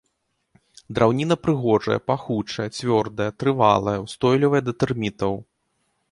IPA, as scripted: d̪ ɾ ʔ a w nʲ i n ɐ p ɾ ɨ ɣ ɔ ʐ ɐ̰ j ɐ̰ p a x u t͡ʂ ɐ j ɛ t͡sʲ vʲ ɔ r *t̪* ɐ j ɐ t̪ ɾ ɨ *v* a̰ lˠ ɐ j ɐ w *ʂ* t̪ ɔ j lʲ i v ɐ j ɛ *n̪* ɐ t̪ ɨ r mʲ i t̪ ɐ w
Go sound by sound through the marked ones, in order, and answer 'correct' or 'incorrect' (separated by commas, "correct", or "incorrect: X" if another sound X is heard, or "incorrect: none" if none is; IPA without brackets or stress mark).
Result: incorrect: d̪, correct, incorrect: s, incorrect: d̪